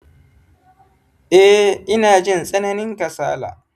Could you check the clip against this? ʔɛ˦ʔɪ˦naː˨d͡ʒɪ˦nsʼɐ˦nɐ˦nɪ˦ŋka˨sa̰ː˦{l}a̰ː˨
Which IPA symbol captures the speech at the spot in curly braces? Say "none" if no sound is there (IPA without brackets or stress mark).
l